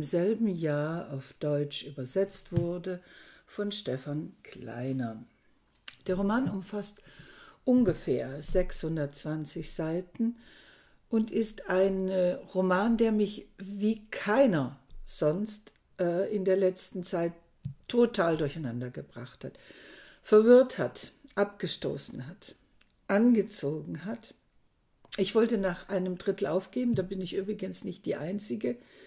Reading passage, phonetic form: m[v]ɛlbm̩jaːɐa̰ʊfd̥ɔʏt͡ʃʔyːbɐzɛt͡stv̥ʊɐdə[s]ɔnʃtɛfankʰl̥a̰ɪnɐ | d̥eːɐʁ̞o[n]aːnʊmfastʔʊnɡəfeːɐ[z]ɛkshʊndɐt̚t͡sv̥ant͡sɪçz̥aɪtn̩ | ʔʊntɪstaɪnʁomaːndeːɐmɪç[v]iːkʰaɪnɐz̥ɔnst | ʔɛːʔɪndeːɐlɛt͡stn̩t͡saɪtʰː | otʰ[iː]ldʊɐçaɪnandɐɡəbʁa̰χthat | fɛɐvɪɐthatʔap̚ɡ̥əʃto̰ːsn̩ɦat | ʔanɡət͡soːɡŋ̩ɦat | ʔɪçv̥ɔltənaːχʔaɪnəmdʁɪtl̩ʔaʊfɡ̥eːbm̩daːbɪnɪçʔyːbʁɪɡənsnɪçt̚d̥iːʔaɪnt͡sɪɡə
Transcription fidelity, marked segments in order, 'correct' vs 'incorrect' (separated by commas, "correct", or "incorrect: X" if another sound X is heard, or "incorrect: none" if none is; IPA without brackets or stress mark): incorrect: z, incorrect: f, incorrect: m, correct, correct, incorrect: aː